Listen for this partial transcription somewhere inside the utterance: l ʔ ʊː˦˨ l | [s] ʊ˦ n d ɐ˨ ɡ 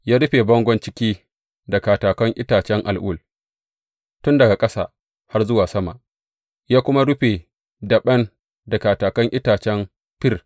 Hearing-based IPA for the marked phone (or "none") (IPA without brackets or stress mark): t